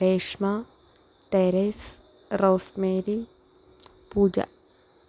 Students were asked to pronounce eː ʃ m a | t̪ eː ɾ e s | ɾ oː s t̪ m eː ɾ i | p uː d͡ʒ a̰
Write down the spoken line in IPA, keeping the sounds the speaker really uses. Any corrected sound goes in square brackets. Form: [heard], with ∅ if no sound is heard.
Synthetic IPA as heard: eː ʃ m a | t̪ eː ɾ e s | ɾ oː s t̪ m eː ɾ i | p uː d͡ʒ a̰